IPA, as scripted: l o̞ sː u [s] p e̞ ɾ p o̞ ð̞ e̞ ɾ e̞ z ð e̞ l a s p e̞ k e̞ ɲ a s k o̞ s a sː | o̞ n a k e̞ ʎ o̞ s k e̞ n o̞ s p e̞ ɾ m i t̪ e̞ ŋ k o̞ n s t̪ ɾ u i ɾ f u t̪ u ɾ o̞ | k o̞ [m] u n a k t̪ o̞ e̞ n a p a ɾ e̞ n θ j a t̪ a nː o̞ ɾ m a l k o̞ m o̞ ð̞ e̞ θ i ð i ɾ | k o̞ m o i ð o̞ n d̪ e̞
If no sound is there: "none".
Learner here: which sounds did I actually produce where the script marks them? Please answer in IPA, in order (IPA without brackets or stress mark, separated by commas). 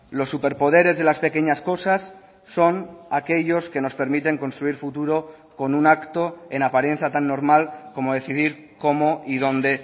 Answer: none, n